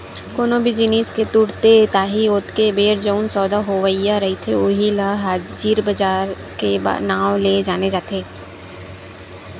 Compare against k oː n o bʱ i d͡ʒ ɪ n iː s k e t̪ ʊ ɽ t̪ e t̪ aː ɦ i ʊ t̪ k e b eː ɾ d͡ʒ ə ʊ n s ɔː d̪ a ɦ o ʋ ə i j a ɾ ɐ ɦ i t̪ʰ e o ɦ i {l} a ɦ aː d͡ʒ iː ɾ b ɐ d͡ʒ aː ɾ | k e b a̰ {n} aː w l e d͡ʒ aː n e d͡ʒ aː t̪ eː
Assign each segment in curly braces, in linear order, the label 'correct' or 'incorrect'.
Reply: correct, correct

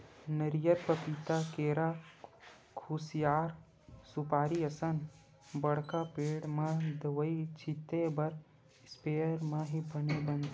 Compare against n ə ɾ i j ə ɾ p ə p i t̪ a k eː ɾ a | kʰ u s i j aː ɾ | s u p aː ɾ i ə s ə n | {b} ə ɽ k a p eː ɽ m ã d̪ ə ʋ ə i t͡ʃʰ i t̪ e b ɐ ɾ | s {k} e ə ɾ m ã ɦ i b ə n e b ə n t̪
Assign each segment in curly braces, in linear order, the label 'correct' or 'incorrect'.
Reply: correct, incorrect: p

